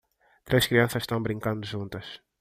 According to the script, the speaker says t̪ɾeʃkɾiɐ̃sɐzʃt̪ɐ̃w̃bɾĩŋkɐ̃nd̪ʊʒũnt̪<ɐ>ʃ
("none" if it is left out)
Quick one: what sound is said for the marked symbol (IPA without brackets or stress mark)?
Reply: ɐ